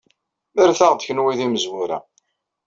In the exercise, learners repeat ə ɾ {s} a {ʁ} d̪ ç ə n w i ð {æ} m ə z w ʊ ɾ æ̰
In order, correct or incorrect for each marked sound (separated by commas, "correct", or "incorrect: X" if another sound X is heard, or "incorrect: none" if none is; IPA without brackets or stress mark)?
incorrect: θ, correct, incorrect: i